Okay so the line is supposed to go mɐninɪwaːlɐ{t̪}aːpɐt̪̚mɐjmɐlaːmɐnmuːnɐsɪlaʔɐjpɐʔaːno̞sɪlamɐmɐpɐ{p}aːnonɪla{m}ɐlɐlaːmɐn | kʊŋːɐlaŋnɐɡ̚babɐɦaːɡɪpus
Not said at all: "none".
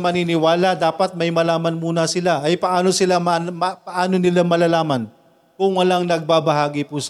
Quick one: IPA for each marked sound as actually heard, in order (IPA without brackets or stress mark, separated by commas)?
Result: d̪, ʔ, m